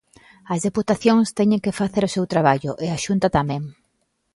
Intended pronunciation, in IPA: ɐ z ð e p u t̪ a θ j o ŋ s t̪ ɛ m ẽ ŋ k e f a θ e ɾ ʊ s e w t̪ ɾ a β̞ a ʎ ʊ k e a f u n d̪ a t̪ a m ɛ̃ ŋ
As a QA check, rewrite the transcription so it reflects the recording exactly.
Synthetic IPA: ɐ z ð e p u t̪ a θ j o ŋ s t̪ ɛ ɲ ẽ ŋ k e f a θ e ɾ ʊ s e w t̪ ɾ a β̞ a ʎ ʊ ʔ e a ʃ u n t̪ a t̪ a m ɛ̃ ŋ